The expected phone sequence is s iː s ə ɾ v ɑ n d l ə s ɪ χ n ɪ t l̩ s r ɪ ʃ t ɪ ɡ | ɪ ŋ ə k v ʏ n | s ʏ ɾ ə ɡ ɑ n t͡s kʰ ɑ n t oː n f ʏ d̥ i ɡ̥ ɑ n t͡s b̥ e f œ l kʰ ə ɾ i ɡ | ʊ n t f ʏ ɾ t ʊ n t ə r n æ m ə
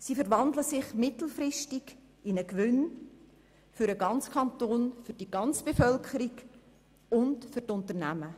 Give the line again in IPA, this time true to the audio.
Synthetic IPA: s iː f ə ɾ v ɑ n d l ə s ɪ χ m ɪ t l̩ f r ɪ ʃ t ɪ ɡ | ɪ n ə k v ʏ n | f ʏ ɾ ə ɡ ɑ n t͡s kʰ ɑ n t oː n f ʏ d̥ i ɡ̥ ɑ n t͡s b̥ e f œ l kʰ ə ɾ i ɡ | ʊ n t f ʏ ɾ t ʊ n t ə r n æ m ə